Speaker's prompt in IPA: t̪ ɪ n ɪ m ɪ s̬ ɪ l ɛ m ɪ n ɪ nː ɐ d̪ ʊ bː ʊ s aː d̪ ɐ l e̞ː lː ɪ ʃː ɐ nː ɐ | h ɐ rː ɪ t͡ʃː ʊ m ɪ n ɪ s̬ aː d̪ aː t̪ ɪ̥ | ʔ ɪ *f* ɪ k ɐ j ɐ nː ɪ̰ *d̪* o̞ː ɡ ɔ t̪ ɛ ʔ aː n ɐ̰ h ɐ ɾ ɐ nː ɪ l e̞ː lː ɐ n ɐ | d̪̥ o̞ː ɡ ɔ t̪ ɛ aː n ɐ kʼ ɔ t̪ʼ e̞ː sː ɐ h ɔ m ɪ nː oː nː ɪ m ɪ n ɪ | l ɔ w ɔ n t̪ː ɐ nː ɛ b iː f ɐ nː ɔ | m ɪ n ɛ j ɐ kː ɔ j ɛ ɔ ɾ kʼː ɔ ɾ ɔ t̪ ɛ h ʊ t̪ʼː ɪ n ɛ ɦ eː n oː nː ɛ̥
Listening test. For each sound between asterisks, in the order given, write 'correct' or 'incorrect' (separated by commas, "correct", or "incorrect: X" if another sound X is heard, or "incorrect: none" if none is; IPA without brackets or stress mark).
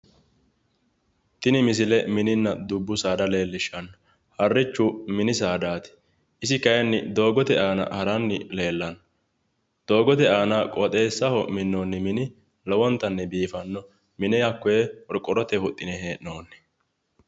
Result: incorrect: s, correct